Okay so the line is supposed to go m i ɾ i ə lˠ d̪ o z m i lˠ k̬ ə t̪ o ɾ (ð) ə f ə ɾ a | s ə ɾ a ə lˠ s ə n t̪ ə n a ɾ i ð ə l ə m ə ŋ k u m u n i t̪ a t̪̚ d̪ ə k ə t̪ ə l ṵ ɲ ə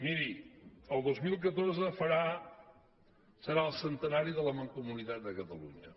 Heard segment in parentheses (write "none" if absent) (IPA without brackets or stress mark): z